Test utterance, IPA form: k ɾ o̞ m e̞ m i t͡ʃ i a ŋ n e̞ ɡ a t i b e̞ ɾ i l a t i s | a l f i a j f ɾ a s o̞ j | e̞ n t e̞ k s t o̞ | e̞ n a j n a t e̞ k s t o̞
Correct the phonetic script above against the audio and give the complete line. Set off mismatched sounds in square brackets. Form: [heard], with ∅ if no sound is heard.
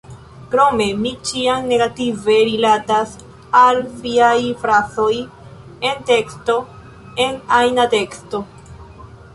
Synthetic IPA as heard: k ɾ o̞ m e̞ m i t͡ʃ i a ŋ n e̞ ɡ a t i [v] e̞ ɾ i l a t [a] s | a l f i a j f ɾ a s o̞ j | e̞ n t e̞ k s t o̞ | e̞ n a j n a t e̞ k s t o̞